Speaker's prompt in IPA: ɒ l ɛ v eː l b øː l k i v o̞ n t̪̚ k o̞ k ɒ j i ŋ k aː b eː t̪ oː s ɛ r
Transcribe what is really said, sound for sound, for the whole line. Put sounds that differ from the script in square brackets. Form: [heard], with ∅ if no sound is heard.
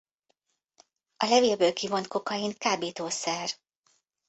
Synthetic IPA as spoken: ɒ l ɛ v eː l b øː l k i v o̞ n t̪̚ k o̞ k ɒ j i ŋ k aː b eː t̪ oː s ɛ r